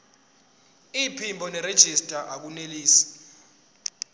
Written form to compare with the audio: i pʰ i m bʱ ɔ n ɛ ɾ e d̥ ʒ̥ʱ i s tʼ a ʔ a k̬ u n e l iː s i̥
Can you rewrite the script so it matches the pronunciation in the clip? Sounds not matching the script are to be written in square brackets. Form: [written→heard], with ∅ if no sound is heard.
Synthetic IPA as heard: i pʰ i m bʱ ɔ n ɛ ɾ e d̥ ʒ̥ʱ i s tʼ a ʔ a k̬ u n e l iː s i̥

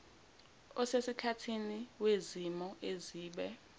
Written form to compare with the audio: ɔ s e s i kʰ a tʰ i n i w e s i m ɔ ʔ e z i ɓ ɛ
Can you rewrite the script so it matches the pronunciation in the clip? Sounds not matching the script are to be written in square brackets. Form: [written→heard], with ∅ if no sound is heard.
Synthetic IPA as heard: ɔ s e s i kʰ a tʰ i n i w e [s→z] i m ɔ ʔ e z [i→iː] ɓ ɛ

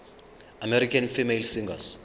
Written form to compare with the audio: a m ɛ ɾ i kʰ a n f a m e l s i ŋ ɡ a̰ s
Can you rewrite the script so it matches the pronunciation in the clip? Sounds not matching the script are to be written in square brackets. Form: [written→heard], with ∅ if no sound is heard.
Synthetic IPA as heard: a m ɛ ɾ i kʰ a n f [a→i] m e l s i ŋ ɡ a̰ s

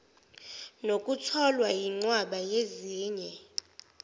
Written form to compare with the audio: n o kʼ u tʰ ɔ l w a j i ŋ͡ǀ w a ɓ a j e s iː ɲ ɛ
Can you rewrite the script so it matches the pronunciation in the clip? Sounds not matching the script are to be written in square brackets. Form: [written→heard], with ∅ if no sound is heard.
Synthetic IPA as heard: n o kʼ u tʰ ɔ l w a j i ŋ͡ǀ w a ɓ a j e [s→z] iː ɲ ɛ

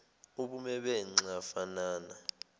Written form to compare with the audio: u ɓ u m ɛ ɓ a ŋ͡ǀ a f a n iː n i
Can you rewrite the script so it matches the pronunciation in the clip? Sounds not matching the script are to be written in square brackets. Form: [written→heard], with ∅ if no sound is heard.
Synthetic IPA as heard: u ɓ u m ɛ ɓ [a→ɛ] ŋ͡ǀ a f a n [iː→aː] n [i→a]

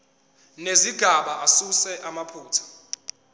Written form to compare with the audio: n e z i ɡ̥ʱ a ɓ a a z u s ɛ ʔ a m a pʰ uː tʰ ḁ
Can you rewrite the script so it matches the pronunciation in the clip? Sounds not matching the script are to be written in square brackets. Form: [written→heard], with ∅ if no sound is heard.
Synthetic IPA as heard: n e z i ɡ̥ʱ a ɓ a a [z→s] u s ɛ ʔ a m a pʰ uː tʰ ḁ

